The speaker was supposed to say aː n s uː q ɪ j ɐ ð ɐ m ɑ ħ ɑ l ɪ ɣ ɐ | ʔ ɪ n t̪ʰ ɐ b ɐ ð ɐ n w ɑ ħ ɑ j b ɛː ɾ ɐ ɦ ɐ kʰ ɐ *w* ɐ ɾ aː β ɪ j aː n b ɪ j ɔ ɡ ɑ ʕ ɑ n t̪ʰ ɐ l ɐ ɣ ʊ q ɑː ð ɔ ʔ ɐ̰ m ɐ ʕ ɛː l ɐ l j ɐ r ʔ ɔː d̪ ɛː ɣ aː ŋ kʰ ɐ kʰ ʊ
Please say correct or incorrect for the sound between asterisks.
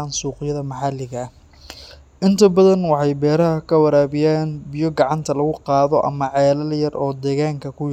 correct